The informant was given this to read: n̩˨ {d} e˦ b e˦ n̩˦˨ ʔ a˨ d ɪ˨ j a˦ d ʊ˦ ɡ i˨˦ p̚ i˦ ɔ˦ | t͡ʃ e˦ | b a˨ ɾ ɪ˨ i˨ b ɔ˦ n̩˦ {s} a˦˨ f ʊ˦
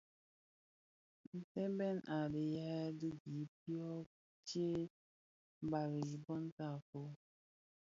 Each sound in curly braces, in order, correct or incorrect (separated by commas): incorrect, incorrect